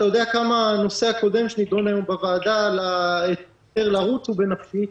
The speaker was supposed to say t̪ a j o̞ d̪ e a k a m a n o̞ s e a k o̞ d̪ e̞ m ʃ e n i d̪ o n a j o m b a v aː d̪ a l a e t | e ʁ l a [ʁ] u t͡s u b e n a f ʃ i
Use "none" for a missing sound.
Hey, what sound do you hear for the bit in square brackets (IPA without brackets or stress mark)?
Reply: ʁ